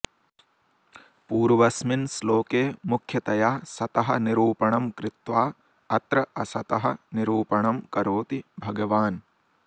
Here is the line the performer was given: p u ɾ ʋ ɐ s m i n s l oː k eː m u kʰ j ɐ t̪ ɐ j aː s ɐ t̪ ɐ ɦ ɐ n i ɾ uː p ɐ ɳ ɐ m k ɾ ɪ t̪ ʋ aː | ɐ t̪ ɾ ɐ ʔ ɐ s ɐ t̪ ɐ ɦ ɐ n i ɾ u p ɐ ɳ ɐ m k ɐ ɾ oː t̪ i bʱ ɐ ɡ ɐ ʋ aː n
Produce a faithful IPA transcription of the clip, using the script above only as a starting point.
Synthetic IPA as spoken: p uː ɾ ʋ ɐ s m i n s l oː k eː m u kʰ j ɐ t̪ ɐ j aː s ɐ t̪ ɐ ɦ ɐ n i ɾ uː p ɐ ɳ ɐ m k ɾ ɪ t̪ ʋ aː | ɐ t̪ ɾ ɐ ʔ ɐ s ɐ t̪ ɐ ɦ ɐ n i ɾ uː p ɐ ɳ ɐ m k ɐ ɾ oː t̪ i bʱ ɐ ɡ ɐ ʋ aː n